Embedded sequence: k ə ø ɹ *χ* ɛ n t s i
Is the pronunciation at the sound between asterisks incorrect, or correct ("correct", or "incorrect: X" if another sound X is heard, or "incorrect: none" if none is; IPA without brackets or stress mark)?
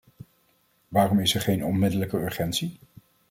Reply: correct